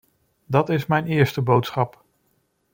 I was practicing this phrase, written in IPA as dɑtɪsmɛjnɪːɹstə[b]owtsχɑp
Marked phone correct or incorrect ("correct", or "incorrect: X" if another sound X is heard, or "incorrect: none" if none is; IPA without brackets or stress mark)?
correct